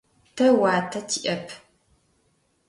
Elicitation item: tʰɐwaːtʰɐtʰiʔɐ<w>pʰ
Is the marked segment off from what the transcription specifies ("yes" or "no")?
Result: yes